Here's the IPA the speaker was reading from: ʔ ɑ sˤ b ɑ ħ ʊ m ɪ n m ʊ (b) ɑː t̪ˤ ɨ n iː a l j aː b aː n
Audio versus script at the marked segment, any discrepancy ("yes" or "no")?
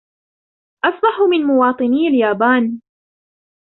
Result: yes